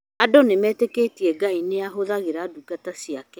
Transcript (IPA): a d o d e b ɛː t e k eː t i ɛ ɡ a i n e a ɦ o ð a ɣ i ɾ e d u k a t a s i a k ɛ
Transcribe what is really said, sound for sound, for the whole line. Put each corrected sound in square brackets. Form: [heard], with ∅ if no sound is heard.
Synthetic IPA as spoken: a d o [n] e [m] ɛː t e k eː t i ɛ ɡ a i n e a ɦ o ð a ɣ [e] ɾ [a] d u k a t a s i a k ɛ